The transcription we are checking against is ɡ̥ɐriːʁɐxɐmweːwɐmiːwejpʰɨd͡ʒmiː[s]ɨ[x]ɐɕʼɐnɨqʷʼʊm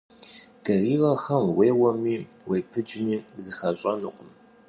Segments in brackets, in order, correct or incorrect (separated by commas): incorrect, correct